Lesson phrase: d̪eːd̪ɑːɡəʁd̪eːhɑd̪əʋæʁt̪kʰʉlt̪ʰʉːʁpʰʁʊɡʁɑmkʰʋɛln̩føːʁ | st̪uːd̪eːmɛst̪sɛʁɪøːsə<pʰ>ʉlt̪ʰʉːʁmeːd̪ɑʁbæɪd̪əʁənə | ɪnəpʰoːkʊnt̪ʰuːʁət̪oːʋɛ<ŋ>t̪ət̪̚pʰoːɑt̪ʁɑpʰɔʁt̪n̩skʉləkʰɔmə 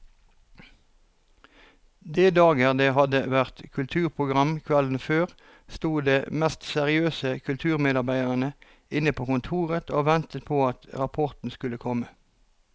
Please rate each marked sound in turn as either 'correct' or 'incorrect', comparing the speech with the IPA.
incorrect, incorrect

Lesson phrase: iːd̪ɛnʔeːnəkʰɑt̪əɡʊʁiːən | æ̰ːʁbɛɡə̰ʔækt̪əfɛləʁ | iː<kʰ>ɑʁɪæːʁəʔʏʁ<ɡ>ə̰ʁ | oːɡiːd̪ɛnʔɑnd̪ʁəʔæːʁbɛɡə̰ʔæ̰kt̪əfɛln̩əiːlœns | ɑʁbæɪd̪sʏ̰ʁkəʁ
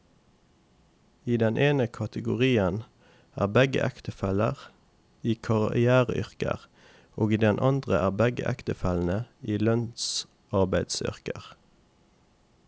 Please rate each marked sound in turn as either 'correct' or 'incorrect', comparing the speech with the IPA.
correct, incorrect

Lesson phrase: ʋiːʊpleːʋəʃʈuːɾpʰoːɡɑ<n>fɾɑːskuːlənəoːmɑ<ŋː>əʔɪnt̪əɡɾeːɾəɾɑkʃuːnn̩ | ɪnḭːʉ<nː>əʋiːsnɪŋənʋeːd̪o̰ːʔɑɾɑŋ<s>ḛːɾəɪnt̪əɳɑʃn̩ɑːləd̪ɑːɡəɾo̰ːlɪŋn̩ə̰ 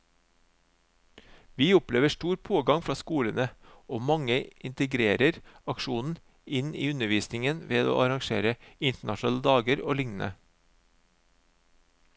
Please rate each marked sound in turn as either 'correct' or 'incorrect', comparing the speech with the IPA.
incorrect, incorrect, incorrect, incorrect

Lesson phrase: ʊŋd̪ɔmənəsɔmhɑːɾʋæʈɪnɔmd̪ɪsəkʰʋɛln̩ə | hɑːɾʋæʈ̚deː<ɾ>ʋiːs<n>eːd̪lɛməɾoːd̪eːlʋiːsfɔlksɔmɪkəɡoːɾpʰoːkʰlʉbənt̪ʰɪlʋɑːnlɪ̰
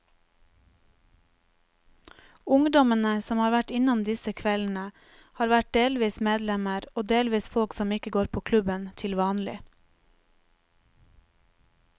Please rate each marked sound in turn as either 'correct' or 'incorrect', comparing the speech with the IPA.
incorrect, incorrect

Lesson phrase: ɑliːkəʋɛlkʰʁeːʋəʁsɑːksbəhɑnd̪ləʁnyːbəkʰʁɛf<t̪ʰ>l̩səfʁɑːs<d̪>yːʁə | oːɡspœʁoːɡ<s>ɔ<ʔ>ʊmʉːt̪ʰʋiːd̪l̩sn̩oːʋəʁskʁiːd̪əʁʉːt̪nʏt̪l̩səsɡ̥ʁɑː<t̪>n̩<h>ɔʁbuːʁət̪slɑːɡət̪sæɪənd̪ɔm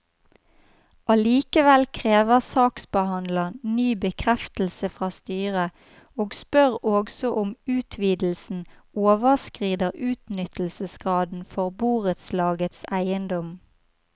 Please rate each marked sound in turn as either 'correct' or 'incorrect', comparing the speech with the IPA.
incorrect, incorrect, correct, correct, incorrect, incorrect

